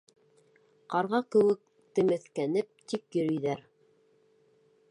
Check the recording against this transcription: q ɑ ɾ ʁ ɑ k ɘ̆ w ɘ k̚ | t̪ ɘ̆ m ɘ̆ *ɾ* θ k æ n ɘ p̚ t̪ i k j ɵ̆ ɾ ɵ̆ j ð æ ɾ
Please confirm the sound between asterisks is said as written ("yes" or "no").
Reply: no